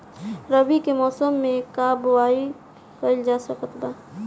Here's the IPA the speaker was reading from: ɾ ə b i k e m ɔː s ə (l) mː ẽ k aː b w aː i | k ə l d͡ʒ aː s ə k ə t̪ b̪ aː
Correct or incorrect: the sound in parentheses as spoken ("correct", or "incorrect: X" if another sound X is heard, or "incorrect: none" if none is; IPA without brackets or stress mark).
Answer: incorrect: none